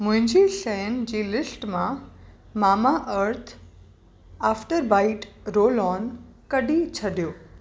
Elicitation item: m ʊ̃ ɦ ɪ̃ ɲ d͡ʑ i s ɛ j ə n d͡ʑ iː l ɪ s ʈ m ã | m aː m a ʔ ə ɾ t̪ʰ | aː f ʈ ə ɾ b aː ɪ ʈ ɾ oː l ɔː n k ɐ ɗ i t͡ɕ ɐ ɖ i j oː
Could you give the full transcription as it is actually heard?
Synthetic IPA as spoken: m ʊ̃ ɦ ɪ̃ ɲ d͡ʑ i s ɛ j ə n d͡ʑ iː l ɪ s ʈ m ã | m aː m a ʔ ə ɾ t̪ʰ | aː f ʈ ə ɾ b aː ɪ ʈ ɾ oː l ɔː n k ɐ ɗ i t͡ɕʰ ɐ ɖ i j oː